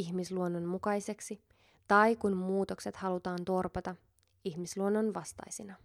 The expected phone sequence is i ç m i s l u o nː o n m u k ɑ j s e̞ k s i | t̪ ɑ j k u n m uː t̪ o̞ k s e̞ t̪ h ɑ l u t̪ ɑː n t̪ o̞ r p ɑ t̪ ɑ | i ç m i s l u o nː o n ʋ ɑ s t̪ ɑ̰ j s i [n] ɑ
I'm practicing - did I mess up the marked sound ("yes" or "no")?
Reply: no